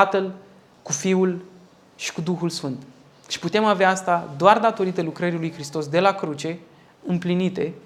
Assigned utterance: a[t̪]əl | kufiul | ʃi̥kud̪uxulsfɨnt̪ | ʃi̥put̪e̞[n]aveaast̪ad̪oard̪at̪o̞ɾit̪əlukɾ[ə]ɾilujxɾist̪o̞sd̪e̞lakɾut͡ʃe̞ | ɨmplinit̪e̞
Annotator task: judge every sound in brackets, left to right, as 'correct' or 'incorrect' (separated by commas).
correct, incorrect, correct